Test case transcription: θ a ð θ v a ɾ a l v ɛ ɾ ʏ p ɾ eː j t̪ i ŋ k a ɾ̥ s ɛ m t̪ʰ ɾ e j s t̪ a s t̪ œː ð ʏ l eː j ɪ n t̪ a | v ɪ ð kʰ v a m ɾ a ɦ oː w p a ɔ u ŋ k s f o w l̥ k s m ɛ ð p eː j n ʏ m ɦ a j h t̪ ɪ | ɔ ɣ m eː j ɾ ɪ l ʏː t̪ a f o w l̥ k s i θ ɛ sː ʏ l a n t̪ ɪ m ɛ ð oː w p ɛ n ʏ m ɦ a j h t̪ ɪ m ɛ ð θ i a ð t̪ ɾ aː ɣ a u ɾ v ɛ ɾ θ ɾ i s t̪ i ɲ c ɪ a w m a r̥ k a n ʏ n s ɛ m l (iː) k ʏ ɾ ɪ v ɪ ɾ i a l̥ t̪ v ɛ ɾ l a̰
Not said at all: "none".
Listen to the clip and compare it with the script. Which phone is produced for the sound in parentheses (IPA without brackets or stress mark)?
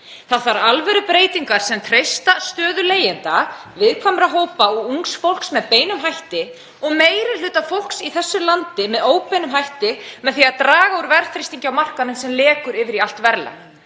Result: ɛː